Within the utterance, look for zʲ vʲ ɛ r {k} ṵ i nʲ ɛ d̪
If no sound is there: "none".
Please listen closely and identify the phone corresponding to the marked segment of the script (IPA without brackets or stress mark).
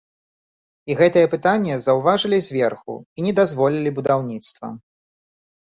x